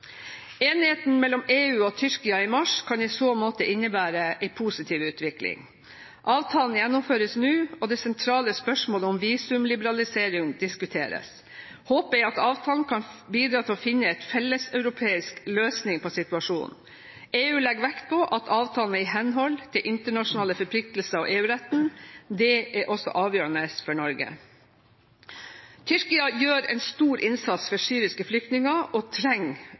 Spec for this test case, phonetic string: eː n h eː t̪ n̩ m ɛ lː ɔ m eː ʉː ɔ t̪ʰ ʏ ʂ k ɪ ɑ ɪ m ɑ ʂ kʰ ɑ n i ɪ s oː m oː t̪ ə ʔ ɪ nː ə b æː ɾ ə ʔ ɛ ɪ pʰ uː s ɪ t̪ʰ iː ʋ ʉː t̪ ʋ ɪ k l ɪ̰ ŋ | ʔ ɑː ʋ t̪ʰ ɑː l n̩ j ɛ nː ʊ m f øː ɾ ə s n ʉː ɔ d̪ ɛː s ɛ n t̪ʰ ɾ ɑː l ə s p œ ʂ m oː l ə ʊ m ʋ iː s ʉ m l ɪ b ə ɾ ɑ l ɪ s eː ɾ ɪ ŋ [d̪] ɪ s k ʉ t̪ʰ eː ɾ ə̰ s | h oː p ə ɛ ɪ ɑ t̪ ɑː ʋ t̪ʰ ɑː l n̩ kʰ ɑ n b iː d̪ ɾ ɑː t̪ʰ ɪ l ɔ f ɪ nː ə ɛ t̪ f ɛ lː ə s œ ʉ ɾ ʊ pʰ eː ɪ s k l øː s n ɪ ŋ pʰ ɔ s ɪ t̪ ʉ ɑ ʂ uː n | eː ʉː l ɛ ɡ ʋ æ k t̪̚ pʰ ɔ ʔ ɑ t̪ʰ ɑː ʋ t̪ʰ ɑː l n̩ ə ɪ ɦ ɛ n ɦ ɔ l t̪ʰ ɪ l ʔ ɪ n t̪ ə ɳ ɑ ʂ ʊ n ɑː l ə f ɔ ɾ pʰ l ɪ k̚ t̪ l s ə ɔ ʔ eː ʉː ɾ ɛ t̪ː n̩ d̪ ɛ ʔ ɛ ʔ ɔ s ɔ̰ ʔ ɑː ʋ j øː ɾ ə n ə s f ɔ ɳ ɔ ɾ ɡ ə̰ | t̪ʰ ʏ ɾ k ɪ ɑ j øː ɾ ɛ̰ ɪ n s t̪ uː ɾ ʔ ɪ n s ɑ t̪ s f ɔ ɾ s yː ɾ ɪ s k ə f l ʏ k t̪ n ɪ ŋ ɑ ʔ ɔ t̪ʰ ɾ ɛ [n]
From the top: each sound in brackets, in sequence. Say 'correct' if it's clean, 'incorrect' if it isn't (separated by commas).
correct, incorrect